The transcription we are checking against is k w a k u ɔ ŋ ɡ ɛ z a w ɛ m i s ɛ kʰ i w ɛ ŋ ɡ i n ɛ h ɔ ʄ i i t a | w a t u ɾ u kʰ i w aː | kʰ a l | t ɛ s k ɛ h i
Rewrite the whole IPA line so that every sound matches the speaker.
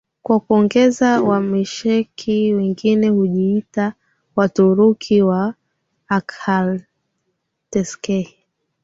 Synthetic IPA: k w a k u ɔ ŋ ɡ ɛ z a w a m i ʃ ɛ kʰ i w ɛ ŋ ɡ i n ɛ h u ʄ i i t a | w a t u ɾ u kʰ i w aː | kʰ a l | t ɛ s k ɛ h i